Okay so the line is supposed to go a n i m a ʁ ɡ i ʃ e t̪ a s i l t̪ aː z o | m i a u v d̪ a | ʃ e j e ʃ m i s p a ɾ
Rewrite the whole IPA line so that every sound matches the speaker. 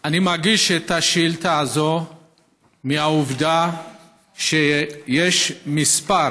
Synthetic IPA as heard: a n i m a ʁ ɡ i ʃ e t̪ a ʃ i l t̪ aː z o | m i a u v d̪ a | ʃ e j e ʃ m i s p a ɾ